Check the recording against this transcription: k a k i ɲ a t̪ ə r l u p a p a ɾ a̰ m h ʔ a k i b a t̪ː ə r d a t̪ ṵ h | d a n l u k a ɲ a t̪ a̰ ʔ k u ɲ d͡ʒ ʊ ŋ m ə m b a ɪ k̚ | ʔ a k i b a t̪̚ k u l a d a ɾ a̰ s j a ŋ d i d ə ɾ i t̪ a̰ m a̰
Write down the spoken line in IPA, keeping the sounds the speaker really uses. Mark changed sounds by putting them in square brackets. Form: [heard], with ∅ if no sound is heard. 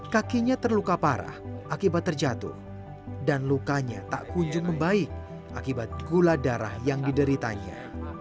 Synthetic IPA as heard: k a k i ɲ a t̪ ə r l u [k] a p a ɾ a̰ [∅] h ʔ a k i b a t̪ː ə r [d͡ʒ] a t̪ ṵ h | d a n l u k a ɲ a t̪ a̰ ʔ k u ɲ d͡ʒ ʊ ŋ m ə m b a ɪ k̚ | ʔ a k i b a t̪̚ [ɡ] u l a d a ɾ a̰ [h] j a ŋ d i d ə ɾ i t̪ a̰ [ɲ] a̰